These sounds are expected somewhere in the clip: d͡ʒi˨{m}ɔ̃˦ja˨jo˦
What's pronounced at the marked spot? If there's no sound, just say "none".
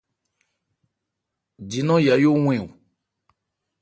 n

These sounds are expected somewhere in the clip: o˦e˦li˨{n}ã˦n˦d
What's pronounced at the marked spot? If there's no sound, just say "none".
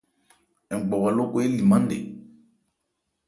m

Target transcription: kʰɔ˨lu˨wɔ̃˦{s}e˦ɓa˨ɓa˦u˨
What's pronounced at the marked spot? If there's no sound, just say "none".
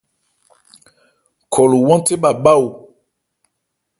t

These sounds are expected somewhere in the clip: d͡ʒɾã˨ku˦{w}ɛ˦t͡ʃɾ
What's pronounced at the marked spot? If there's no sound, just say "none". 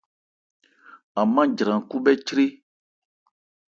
b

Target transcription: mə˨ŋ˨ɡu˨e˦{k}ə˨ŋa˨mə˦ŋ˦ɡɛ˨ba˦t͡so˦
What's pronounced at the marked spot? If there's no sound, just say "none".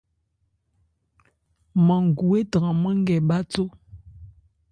t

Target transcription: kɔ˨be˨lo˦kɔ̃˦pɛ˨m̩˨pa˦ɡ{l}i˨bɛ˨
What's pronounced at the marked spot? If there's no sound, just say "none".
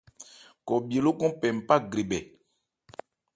ɾ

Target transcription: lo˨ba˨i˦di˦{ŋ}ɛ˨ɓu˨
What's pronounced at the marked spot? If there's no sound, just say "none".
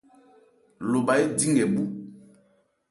ŋ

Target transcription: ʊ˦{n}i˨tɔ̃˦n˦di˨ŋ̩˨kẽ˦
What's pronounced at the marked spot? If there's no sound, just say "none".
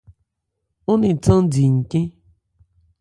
n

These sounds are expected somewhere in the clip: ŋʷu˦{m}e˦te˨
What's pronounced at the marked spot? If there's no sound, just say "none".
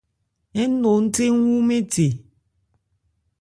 m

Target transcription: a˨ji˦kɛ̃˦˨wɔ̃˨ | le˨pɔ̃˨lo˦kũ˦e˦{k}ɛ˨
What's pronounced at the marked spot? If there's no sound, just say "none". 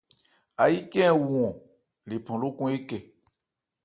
k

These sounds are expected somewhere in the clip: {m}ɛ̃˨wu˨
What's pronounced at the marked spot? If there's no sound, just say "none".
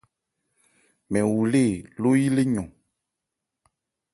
m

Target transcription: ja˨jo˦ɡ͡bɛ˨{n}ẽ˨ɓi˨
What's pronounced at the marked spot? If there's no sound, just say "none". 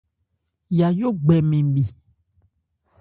m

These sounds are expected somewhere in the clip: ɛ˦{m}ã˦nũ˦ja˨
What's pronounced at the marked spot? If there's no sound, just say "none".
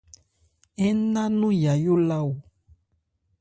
n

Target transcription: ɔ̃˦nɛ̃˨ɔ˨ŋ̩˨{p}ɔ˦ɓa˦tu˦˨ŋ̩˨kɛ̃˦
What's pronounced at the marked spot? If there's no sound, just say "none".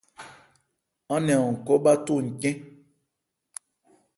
k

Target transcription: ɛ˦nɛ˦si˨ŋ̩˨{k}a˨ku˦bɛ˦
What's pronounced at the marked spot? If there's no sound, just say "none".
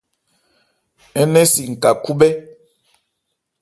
k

